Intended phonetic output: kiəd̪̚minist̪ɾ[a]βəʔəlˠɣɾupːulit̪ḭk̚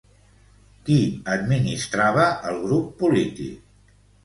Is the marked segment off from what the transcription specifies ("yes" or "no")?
no